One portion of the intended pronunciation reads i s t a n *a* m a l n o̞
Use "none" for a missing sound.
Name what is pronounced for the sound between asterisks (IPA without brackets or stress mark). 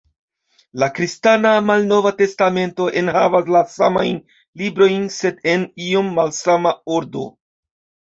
a